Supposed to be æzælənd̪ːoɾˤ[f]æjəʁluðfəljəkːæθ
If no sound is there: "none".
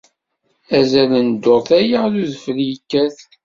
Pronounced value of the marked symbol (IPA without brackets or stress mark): θ